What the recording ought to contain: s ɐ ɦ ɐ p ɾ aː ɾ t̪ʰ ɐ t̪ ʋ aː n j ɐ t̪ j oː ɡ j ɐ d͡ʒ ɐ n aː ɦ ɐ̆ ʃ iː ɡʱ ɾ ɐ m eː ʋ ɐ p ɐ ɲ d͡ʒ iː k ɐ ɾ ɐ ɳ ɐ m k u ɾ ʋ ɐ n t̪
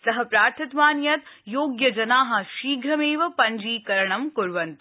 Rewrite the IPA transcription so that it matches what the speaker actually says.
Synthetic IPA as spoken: s ɐ ɦ ɐ p ɾ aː ɾ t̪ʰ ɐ t̪ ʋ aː n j ɐ t̪ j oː ɡ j ɐ d͡ʒ ɐ n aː ɦ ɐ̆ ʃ iː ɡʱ ɾ ɐ m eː ʋ ɐ p ɐ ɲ d͡ʒ iː k ɐ ɾ ɐ ɳ ɐ m k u ɾ ʋ ɐ n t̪